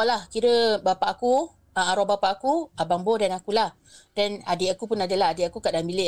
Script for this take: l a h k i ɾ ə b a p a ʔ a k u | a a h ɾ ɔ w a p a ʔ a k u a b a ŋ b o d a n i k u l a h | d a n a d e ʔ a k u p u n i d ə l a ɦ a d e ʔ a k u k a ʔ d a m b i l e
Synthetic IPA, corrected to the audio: l a h k i ɾ ə b a p a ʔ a k u | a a ɾ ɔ b a p a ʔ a k u a b a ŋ b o d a n a k u l a h | d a n a d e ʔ a k u p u n a d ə l a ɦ a d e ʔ a k u k a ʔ d a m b i l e